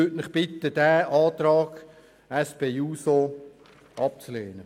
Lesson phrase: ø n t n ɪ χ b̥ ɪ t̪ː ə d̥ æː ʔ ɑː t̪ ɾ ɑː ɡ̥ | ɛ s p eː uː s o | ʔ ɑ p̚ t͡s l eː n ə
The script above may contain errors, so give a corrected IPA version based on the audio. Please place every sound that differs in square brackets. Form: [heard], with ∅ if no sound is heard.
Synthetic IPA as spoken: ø [∅] t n ɪ χ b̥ ɪ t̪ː ə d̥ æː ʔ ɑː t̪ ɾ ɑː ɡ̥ | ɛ s p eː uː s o | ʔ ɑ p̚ t͡s l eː n ə